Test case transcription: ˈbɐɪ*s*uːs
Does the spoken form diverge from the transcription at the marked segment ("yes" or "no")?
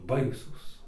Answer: no